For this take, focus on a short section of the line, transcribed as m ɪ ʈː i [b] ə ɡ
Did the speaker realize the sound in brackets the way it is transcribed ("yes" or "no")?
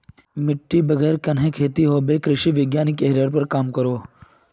yes